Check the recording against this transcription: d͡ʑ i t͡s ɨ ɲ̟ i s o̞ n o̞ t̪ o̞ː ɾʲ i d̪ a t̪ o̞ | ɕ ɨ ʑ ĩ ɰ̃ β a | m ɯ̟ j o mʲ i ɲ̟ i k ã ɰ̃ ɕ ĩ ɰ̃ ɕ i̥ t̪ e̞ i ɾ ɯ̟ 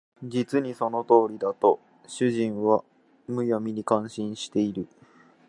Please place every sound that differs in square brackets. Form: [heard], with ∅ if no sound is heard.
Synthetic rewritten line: d͡ʑ i t͡s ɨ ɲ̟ i s o̞ n o̞ t̪ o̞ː ɾʲ i d̪ a t̪ o̞ | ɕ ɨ ʑ ĩ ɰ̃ β a | m ɯ̟ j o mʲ i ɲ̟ i k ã ɰ̃ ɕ ĩ ɰ̃ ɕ i̥ t̪ e̞ i ɾ ɯ̟